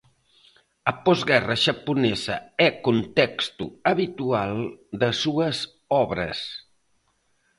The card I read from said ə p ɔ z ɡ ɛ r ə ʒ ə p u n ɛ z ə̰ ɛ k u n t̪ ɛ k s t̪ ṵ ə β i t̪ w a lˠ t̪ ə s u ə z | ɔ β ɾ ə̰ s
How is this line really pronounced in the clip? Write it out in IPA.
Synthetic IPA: ə p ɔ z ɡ ɛ r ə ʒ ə p u n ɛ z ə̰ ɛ k u n t̪ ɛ k s t̪ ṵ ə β i t̪ u a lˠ d̪ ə s u ə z | ɔ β ɾ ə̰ s